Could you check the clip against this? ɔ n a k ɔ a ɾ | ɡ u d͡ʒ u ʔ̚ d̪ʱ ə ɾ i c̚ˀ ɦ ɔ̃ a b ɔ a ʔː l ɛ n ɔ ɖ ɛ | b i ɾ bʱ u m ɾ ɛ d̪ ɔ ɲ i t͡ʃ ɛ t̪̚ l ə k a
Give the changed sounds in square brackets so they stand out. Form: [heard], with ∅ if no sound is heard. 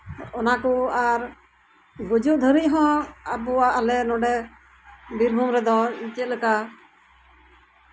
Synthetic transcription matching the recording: ɔ n a k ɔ a ɾ | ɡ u d͡ʒ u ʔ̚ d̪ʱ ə ɾ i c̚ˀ ɦ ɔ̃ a b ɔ a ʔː l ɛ n ɔ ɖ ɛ | b i ɾ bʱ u m ɾ ɛ d̪ ɔ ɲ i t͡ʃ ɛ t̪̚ l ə k a